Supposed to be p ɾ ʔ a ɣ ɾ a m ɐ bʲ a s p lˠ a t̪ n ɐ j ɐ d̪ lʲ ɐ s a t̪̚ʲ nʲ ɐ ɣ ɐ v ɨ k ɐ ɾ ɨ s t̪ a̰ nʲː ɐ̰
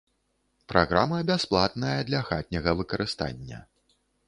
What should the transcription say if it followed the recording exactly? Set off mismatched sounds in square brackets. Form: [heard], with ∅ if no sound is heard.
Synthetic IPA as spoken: p ɾ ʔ a ɣ ɾ a m ɐ bʲ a s p lˠ a t̪ n ɐ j ɐ d̪ lʲ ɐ [x] a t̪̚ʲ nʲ ɐ ɣ ɐ v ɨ k ɐ ɾ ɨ s t̪ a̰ nʲː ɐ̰